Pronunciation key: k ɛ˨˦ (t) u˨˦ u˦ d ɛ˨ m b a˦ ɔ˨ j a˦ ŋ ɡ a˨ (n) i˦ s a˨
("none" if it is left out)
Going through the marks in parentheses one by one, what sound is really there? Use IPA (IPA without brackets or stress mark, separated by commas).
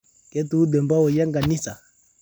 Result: t, n